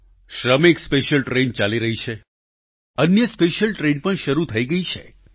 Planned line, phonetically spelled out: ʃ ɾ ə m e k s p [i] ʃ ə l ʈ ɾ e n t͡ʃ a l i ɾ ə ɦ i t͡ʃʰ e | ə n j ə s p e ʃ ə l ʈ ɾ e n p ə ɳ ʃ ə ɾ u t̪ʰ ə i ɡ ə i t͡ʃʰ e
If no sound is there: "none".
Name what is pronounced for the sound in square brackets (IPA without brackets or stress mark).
e